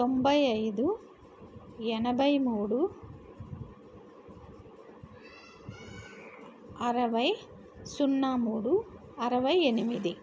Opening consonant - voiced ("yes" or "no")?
no